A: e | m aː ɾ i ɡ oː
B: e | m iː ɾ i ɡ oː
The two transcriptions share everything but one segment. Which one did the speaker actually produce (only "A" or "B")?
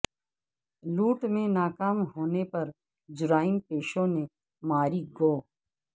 A